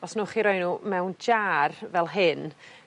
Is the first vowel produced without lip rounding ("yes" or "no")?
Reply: no